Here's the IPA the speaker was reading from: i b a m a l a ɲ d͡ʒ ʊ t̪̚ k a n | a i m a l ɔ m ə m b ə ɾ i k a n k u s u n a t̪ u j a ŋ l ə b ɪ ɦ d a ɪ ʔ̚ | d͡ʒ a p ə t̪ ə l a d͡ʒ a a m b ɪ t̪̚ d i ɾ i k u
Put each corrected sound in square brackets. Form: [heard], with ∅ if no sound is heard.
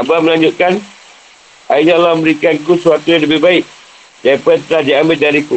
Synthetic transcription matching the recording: [a] b a m [ə] l a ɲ d͡ʒ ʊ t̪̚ k a n | a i [ɲ] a l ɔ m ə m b ə ɾ i k a n k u s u [∅] a t̪ u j a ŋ l ə b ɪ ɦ [b] a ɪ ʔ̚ | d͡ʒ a p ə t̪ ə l a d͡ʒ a a m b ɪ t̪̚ d [a] ɾ i k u